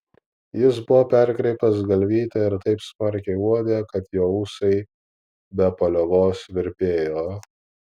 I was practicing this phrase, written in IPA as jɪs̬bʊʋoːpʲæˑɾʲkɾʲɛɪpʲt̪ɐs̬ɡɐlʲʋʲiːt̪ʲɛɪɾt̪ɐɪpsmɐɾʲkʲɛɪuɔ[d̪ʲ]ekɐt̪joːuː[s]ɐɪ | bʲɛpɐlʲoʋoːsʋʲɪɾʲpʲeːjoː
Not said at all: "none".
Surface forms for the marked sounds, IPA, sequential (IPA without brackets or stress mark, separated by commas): d̪ʲ, s